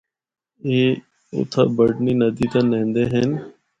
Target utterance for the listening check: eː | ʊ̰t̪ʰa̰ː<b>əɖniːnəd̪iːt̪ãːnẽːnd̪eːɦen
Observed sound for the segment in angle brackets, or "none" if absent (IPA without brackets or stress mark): b